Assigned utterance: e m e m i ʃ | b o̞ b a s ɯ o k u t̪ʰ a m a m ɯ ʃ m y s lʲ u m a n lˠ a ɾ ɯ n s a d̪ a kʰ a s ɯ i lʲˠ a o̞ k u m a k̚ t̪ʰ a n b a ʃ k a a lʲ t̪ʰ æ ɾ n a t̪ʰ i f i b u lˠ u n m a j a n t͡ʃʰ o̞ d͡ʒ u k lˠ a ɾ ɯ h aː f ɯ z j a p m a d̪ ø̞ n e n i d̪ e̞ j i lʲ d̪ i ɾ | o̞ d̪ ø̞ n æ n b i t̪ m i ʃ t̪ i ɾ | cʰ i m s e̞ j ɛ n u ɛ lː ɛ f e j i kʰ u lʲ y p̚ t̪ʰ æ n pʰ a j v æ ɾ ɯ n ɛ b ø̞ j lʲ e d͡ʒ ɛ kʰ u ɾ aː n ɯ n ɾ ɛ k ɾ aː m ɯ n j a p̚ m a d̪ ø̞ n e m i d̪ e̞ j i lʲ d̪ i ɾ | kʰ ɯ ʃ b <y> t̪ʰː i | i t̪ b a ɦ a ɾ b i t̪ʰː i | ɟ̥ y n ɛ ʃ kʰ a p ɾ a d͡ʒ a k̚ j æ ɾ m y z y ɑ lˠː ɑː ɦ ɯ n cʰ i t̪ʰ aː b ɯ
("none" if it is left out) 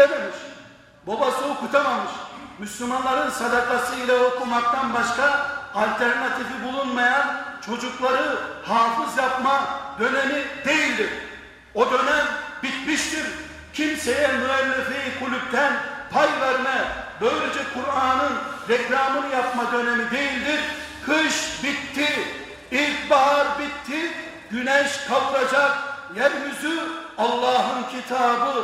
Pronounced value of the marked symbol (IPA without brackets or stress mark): i